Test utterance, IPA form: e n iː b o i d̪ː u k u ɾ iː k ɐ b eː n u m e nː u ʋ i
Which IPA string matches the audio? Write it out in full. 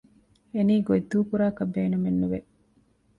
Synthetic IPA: e n iː ɡ o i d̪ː uː k u ɾ aː k ɐ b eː n u m e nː u ʋ e